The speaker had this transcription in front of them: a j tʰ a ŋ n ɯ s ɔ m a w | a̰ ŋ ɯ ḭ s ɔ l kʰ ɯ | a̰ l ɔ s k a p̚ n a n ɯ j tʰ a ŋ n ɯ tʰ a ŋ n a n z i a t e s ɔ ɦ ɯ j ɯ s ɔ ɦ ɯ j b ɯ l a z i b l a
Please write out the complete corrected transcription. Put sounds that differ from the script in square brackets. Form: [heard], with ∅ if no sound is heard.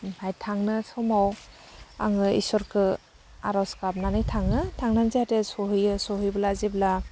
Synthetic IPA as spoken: a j tʰ a ŋ n ɯ s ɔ m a w | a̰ ŋ ɯ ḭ s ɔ [ɾ] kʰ ɯ | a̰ [ɾ] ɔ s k a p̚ n a n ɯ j tʰ a ŋ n ɯ tʰ a ŋ n a n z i a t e s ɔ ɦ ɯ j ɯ s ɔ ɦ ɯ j b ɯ l a z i b l a